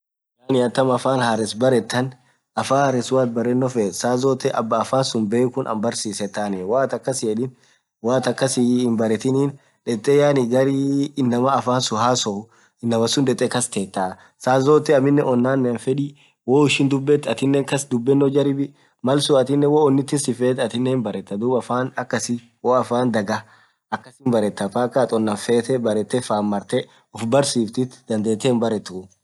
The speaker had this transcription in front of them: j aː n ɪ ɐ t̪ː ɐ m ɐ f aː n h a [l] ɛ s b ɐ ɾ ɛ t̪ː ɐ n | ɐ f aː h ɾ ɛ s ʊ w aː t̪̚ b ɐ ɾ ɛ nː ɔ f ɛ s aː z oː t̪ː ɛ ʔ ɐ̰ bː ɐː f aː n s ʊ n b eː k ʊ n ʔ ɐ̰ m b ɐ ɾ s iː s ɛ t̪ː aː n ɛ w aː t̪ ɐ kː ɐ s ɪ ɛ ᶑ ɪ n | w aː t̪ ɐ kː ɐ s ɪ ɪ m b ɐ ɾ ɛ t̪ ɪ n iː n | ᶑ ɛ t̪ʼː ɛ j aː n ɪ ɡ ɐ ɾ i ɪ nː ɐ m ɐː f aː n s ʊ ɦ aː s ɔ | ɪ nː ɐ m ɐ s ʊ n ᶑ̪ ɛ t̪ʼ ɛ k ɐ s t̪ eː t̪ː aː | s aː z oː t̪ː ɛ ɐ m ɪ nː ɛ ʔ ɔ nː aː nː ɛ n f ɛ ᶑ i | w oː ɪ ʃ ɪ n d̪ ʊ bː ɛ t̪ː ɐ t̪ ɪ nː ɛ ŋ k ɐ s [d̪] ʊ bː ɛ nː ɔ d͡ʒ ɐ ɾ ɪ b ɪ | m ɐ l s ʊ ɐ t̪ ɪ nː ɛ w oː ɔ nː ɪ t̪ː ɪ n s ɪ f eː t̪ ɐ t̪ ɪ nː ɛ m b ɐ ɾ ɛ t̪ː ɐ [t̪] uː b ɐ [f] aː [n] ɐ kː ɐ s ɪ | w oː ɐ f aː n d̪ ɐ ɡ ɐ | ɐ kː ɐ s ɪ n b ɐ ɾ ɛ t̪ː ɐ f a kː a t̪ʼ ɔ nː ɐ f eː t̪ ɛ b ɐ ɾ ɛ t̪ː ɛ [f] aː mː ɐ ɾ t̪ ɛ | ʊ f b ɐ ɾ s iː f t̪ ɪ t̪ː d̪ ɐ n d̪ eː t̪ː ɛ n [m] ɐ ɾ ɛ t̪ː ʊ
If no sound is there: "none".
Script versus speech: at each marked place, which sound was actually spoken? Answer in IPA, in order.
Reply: ɾ, d̪, d̪, f, n, f, b

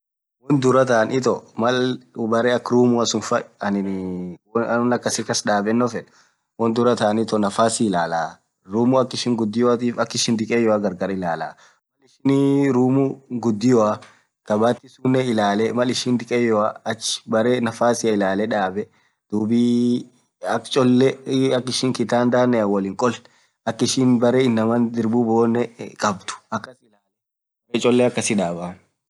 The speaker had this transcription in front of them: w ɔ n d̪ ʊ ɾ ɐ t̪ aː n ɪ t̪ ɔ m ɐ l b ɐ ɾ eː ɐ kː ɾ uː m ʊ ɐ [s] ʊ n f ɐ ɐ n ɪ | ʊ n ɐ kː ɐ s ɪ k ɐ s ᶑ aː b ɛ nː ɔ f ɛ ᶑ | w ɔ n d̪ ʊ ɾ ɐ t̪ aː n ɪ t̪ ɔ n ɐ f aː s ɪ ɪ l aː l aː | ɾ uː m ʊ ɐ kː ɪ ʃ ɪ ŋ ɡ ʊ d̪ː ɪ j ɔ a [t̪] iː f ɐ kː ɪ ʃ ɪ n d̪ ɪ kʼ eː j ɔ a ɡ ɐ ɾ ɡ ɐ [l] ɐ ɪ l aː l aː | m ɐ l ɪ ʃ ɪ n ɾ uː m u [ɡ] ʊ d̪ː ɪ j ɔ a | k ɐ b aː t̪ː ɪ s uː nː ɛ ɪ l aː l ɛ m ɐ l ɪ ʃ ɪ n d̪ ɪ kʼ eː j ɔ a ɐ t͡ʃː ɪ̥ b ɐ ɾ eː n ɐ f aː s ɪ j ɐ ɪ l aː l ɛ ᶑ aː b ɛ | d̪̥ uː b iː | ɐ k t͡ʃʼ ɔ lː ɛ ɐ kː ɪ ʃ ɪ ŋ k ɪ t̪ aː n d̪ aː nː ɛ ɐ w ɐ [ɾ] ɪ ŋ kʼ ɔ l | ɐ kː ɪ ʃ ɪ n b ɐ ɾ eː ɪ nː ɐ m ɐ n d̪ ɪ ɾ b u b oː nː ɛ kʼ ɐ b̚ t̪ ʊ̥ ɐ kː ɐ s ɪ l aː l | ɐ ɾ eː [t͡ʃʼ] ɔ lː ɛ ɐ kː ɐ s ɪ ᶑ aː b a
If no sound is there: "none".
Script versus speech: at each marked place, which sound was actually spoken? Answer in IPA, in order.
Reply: s, t̪, ɾ, ɡ, l, t͡ʃʼ

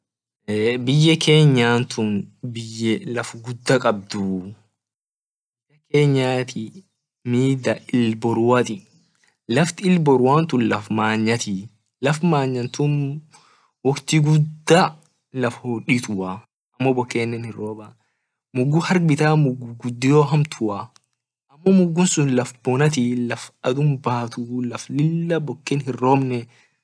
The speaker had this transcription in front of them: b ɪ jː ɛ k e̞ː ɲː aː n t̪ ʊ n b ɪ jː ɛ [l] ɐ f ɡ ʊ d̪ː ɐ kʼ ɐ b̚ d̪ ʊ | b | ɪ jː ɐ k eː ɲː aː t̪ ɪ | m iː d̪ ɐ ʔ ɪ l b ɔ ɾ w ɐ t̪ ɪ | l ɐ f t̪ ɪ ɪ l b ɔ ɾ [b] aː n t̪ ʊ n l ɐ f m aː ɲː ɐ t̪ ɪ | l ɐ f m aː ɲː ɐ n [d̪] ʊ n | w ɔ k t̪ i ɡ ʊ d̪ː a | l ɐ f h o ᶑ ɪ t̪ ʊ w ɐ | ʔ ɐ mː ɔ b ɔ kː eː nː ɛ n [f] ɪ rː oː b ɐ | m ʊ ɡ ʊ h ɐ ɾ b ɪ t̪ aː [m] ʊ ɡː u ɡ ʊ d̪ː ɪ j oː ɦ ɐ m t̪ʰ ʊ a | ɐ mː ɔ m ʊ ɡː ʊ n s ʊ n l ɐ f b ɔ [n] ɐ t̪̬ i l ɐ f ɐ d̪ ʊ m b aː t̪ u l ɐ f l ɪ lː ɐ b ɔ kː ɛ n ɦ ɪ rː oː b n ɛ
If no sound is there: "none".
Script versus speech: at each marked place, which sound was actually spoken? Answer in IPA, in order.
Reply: l, w, t̪, h, m, n

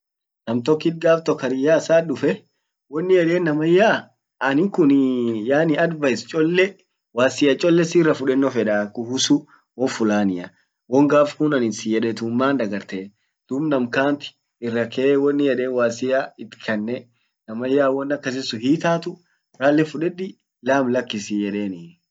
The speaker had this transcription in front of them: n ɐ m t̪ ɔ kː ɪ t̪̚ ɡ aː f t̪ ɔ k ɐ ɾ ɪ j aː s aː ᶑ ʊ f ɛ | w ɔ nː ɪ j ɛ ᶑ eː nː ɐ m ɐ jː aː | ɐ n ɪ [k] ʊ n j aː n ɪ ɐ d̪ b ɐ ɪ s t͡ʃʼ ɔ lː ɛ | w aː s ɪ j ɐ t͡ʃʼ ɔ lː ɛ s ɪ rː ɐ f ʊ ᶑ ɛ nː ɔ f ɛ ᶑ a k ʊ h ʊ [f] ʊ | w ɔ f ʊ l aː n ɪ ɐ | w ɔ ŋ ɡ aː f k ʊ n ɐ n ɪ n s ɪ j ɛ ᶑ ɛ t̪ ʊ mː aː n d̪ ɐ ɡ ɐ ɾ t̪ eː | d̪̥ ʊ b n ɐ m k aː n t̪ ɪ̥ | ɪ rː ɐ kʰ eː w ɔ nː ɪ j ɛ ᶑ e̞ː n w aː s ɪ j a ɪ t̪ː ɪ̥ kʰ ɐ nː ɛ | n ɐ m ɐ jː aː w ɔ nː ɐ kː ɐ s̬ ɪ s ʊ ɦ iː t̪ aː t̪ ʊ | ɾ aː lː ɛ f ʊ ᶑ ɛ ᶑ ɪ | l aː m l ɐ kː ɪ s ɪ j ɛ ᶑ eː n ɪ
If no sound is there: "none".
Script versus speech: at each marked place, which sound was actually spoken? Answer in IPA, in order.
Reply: k, s

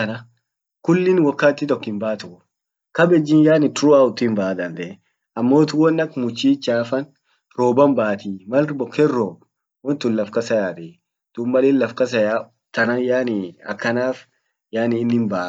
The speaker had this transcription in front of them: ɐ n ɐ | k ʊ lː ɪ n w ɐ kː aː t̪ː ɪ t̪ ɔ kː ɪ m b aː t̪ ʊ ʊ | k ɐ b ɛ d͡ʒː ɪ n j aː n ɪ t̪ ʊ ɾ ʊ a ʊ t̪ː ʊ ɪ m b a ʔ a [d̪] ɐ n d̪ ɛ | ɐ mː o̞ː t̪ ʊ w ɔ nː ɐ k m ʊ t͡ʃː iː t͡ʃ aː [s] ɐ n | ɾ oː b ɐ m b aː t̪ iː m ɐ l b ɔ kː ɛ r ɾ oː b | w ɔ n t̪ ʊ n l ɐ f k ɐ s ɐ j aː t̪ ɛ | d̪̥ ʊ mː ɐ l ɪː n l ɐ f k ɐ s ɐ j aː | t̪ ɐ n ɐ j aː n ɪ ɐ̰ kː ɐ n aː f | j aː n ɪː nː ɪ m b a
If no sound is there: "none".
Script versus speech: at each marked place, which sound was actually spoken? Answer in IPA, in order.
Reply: d̪, f

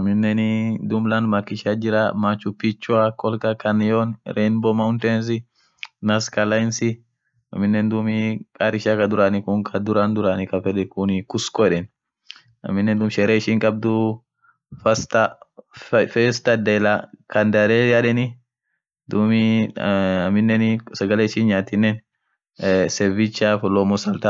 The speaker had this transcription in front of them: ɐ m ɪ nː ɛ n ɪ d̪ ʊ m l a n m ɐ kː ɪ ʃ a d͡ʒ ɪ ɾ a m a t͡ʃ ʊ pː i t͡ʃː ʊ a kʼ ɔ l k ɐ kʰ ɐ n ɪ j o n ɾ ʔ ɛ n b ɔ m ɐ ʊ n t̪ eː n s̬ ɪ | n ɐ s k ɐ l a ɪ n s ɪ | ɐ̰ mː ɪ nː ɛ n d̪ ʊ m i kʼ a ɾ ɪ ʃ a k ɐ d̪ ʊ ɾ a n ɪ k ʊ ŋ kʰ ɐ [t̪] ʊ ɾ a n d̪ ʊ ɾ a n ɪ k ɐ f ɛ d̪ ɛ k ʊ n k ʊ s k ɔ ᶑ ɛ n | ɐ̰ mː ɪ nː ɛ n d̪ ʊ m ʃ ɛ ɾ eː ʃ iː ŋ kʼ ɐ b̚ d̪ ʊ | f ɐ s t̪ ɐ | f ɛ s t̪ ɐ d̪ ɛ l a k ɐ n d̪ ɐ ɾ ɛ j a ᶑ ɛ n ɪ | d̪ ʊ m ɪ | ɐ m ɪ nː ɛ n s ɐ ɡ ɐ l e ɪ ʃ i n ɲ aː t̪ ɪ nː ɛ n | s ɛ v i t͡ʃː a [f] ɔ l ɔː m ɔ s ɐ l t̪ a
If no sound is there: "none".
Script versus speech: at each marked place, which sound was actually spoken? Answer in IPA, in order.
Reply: d̪, f

